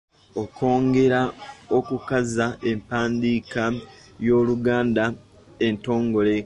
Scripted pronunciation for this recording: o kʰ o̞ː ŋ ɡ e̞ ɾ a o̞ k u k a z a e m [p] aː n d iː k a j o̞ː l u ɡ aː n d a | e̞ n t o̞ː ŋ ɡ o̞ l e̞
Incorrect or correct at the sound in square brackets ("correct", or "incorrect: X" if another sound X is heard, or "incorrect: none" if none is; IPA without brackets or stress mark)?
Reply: correct